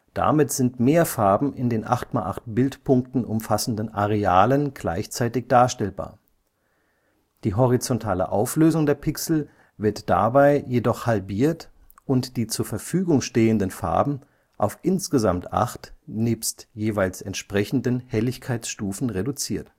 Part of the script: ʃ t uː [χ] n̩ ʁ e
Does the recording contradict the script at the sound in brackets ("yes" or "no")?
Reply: yes